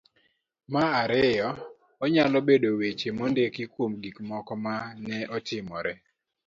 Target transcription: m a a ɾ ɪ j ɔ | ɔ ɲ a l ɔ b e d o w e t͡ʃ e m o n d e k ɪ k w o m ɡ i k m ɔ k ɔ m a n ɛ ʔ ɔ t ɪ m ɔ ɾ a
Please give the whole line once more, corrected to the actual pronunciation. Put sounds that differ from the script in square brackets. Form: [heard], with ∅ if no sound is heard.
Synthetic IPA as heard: m a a ɾ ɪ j ɔ | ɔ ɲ a l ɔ b e d o w e t͡ʃ e m o n d e k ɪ k w o m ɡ i k m ɔ k ɔ m a n ɛ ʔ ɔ t ɪ m ɔ ɾ [ɛ]